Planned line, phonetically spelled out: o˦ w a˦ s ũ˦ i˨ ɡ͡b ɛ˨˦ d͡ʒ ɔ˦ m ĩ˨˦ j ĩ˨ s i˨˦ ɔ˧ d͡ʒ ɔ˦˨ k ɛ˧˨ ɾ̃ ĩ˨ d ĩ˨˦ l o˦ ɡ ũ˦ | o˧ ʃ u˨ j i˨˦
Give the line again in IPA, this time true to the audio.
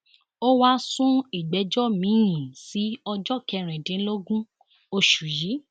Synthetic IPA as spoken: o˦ w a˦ s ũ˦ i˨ ɡ͡b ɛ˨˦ d͡ʒ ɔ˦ m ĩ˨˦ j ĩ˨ s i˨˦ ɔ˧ d͡ʒ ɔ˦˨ k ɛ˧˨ ɾ̃ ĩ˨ d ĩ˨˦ l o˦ ɡ ũ˦ | o˧ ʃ u˨ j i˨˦

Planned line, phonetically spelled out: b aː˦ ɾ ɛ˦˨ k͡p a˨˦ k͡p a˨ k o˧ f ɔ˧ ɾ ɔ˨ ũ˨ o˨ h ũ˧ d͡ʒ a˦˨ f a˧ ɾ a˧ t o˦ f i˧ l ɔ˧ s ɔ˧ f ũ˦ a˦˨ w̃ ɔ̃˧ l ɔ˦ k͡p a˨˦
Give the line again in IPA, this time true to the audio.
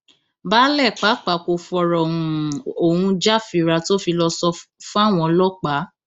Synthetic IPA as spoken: b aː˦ l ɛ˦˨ k͡p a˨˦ k͡p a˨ k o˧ f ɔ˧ ɾ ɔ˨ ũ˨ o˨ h ũ˧ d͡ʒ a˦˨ f i˧ ɾ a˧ t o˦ f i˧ l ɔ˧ s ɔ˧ f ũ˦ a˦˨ w̃ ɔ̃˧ l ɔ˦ k͡p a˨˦

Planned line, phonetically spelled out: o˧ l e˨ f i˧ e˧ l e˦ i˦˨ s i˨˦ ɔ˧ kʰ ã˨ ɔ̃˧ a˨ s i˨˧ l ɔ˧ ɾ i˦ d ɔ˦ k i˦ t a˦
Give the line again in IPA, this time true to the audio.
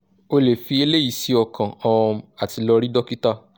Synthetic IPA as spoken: o˧ l e˨ f i˧ e˧ l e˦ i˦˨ s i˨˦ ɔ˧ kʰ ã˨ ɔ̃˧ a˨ t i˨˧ l ɔ˧ ɾ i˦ d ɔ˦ k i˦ t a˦

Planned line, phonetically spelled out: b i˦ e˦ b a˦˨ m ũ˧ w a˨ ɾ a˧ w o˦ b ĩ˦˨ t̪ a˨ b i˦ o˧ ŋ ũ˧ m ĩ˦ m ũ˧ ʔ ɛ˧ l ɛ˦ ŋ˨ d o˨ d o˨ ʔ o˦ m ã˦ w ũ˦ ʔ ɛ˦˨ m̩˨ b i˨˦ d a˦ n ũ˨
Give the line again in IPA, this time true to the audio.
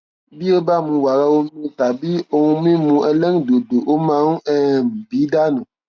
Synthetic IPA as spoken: b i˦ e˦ b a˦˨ m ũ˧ w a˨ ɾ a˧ w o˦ m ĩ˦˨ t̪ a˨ b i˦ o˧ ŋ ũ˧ m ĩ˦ m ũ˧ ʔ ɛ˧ l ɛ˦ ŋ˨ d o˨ d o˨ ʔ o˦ m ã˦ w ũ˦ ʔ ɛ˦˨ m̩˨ b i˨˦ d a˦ n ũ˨

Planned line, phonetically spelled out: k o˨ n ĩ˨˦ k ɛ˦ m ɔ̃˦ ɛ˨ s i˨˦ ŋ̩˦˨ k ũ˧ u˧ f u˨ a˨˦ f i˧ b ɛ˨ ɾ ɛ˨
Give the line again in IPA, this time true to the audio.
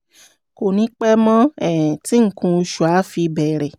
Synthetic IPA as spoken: k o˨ n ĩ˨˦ k͡p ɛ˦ m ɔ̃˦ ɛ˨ t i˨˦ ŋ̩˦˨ k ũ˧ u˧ ʃ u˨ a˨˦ f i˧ b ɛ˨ ɾ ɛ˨

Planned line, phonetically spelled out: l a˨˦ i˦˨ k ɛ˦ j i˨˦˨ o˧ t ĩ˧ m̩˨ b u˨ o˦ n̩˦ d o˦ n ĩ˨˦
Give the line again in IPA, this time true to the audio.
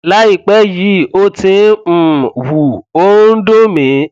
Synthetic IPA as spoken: l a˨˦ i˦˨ k͡p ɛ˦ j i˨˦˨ o˧ t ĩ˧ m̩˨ w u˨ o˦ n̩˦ d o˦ m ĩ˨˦

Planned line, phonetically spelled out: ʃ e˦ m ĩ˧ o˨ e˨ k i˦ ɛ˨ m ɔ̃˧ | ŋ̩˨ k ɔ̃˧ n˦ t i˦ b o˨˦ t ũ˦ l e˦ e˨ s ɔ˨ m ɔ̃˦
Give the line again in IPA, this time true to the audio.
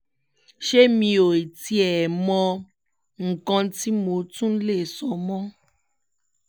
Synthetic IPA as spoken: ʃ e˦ m ĩ˧ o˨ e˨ t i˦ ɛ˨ m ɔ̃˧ | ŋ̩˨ k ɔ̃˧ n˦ t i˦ m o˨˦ t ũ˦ l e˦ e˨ s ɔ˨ m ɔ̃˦

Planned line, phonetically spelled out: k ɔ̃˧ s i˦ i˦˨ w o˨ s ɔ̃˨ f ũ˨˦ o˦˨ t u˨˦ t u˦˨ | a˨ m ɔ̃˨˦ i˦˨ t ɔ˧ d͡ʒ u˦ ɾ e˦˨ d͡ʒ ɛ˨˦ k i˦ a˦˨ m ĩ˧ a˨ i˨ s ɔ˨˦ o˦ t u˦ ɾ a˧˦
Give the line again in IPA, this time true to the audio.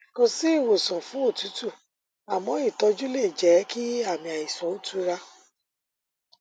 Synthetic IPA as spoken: k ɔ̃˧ s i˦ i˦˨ w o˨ s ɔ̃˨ f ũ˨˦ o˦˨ t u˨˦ t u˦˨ | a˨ m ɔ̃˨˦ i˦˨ t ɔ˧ d͡ʒ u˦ l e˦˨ d͡ʒ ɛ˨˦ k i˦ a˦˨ m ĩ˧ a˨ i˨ s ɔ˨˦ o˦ t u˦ ɾ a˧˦

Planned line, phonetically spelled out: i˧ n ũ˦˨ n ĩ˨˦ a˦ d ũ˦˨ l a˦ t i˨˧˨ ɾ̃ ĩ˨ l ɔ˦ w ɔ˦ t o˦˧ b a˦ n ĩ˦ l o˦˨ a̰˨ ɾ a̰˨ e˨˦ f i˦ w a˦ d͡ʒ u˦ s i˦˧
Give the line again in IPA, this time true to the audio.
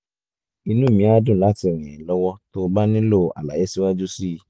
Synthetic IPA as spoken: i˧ n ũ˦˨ m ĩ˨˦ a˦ d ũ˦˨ l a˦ t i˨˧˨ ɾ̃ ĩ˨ l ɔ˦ w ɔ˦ t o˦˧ b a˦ n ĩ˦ l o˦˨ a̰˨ l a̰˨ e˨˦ s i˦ w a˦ d͡ʒ u˦ s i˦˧

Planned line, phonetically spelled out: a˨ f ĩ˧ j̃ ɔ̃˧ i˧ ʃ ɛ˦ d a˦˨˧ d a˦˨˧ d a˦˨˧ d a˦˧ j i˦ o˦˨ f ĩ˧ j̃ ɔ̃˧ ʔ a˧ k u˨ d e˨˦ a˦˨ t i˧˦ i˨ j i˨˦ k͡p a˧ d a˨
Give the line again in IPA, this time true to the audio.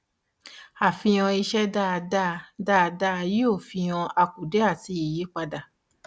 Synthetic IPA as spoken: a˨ f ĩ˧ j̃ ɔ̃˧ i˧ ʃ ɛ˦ d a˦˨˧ d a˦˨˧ d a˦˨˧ d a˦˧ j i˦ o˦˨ f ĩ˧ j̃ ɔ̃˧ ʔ a˧ k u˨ d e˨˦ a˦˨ t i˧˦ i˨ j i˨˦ k͡p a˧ d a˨

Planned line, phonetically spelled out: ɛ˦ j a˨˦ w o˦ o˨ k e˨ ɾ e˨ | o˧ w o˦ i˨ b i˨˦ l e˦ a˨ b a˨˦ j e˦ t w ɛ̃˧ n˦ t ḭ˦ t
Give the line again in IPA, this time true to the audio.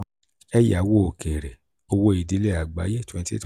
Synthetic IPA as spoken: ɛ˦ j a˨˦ w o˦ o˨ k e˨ ɾ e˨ | o˧ w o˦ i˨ d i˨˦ l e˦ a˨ ɡ͡b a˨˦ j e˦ t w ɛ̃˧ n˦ t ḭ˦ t

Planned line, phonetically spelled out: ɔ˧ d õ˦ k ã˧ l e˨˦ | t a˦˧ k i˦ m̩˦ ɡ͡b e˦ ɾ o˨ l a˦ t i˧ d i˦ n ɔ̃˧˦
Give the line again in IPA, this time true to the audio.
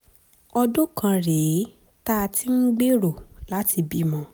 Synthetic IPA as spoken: ɔ˧ d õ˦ k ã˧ ɾ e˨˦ | t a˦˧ t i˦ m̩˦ ɡ͡b e˦ ɾ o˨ l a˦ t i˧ b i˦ m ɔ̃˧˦

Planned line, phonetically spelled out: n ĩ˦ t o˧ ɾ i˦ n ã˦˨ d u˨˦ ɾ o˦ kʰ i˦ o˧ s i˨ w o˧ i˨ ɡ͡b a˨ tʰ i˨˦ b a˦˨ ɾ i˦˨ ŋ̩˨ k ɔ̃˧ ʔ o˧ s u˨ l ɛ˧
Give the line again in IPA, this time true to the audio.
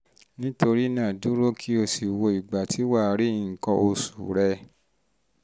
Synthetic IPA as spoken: n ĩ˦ t o˧ ɾ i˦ n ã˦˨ d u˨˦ ɾ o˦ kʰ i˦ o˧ s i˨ w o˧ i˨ ɡ͡b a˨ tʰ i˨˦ w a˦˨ ɾ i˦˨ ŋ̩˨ k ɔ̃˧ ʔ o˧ s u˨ ɾ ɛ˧

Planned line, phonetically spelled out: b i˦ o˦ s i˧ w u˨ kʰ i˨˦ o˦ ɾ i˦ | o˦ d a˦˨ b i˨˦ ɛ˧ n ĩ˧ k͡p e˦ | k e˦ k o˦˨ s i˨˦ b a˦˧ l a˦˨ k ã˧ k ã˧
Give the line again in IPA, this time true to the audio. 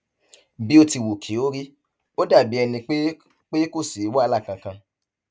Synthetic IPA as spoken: b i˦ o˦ t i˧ w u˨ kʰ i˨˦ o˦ ɾ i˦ | o˦ d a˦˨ b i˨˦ ɛ˧ n ĩ˧ k͡p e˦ | k͡p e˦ k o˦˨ s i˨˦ w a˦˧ l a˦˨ k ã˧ k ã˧

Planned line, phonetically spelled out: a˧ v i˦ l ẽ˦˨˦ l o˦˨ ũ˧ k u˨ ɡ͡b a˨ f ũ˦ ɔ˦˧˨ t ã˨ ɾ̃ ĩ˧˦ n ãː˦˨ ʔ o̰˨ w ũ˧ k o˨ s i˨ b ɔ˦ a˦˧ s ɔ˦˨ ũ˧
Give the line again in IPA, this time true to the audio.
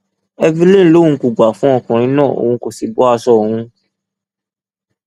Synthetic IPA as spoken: ɛ˧ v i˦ l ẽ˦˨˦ l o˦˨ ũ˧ k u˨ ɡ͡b a˨ f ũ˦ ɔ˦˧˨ k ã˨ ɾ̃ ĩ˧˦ n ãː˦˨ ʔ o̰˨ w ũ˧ k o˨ s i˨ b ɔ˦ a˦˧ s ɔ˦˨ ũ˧

